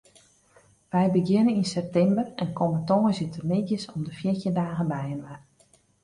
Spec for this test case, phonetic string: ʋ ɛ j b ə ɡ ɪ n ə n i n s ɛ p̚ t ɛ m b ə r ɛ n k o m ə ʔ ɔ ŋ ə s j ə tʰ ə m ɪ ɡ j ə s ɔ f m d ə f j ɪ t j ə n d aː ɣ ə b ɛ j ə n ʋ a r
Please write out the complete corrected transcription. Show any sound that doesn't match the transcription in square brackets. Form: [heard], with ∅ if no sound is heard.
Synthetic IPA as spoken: ʋ ɛ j b ə ɡ ɪ n ə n i n s ɛ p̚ t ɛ m b ə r ɛ n k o m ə [t] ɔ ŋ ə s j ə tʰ ə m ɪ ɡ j ə s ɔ [∅] m d ə f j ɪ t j ə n d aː ɣ ə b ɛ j ə n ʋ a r